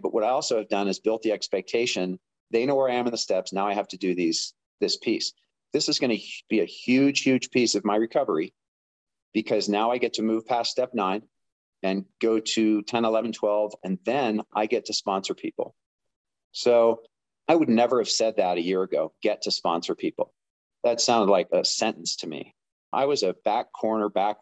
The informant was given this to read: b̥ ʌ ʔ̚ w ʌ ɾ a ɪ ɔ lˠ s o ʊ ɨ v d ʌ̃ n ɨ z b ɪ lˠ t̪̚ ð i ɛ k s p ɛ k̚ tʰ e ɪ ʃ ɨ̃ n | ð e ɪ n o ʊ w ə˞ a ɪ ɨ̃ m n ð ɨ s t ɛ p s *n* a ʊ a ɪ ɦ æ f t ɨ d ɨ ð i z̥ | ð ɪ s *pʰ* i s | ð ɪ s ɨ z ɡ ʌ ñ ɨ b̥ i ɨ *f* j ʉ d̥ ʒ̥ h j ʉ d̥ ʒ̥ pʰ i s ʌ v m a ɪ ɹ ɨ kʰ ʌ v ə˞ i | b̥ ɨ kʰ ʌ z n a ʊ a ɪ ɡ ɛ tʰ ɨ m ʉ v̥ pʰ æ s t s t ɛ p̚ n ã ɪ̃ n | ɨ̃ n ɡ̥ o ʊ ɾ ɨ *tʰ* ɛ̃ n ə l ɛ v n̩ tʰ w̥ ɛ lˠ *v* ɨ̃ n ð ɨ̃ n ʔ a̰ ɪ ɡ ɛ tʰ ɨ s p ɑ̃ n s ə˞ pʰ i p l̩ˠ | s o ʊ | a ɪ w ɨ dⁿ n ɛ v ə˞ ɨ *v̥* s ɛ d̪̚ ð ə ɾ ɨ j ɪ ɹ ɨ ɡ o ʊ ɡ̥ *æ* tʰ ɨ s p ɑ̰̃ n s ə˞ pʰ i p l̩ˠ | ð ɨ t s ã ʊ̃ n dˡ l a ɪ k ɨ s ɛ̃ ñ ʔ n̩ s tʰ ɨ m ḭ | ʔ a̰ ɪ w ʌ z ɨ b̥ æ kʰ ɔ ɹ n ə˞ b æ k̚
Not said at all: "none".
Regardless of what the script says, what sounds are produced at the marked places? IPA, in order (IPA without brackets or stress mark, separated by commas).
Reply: n, pʰ, h, tʰ, v, v̥, ɛ